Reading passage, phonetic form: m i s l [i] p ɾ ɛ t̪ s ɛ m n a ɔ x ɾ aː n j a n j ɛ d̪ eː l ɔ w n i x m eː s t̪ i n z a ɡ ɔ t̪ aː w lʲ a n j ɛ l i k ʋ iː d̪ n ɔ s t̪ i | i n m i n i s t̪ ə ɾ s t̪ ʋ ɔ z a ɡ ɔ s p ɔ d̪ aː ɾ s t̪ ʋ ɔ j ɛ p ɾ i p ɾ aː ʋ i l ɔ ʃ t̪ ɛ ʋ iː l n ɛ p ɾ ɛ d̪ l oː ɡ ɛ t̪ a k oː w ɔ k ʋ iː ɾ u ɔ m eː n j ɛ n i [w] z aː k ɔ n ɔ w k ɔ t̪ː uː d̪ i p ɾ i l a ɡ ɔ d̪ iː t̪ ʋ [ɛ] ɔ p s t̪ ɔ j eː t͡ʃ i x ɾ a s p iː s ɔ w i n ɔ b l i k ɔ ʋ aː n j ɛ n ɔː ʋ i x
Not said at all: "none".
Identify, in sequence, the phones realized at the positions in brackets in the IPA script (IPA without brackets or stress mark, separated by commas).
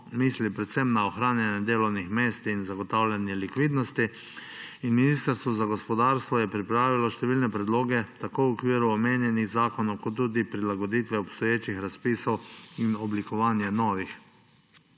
i, ɣ, ɛ